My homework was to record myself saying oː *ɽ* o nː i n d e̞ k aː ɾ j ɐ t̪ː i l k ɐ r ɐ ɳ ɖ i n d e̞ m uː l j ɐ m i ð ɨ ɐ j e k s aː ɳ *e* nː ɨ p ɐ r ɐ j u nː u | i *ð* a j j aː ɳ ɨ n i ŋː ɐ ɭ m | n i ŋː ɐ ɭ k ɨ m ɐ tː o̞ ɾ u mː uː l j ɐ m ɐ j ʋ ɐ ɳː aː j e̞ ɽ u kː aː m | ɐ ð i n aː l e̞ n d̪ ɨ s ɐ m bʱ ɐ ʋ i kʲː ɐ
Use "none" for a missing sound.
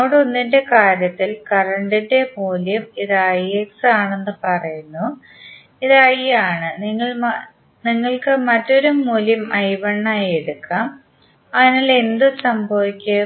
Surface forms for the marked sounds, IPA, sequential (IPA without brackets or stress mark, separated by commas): ɽ, e, ð